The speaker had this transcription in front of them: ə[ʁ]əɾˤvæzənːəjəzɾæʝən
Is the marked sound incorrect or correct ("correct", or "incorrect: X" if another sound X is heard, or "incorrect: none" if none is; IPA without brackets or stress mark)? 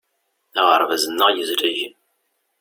correct